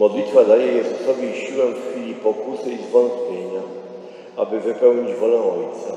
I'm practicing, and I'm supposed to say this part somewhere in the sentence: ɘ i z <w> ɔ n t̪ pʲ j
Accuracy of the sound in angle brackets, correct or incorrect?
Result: incorrect